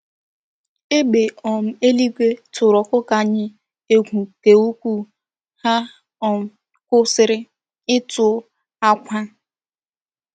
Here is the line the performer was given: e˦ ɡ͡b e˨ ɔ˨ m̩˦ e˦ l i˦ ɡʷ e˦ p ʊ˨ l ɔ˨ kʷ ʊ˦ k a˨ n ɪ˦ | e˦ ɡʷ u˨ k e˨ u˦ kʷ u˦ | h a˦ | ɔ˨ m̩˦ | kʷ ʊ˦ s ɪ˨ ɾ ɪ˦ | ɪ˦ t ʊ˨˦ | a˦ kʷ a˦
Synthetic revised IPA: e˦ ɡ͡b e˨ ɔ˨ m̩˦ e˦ l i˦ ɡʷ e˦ t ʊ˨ ɾ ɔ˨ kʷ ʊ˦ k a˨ ɲ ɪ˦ | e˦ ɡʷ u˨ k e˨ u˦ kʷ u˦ | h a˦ | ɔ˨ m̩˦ | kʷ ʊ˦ s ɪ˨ ɾ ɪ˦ | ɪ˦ t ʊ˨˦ | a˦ kʷ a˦